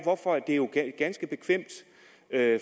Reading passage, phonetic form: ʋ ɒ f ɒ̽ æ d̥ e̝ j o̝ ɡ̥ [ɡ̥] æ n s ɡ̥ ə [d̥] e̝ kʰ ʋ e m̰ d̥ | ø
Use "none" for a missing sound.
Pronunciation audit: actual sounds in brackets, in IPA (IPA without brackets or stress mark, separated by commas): ɡ̥, b̥